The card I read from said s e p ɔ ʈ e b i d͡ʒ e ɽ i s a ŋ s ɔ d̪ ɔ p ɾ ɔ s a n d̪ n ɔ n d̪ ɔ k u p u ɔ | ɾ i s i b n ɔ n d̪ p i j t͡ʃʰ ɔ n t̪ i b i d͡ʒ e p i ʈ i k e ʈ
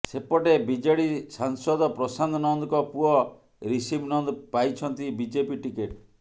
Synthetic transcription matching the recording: s e p ɔ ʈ e b i d͡ʒ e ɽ i s a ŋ s ɔ d̪ ɔ p ɾ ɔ s a n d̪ n ɔ n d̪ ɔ k ɔ p u ɔ | ɾ i s i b n ɔ n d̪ p a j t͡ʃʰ ɔ n t̪ i b i d͡ʒ e p i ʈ i k e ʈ